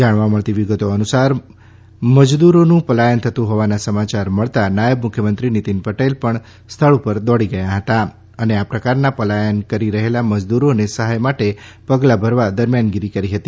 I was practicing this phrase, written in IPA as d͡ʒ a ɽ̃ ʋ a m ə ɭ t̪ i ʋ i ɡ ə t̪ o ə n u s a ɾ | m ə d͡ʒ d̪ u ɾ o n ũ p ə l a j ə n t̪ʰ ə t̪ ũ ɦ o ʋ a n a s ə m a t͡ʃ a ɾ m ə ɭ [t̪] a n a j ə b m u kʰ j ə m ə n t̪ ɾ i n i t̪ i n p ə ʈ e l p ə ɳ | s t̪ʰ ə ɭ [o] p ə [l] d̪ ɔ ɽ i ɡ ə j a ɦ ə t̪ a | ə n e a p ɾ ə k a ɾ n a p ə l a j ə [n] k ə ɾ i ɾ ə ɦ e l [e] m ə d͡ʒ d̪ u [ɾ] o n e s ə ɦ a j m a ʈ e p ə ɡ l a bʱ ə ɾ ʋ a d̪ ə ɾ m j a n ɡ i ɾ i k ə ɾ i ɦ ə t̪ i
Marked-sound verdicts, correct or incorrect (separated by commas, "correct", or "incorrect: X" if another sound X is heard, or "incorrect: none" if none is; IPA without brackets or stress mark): correct, incorrect: u, incorrect: ɾ, correct, incorrect: a, correct